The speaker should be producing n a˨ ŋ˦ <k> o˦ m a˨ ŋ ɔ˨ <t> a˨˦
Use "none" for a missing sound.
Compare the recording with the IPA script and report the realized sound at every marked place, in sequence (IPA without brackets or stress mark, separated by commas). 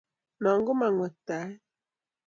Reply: ɡ, t